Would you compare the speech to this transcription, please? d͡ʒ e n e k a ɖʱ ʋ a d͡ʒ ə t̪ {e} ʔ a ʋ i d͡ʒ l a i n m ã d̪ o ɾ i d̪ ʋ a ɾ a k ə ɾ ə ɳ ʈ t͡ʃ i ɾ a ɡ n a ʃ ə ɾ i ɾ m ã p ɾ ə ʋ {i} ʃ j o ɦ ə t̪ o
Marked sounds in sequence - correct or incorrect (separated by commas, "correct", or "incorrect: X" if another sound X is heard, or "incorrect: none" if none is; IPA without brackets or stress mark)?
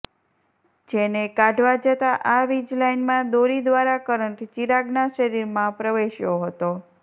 incorrect: a, incorrect: e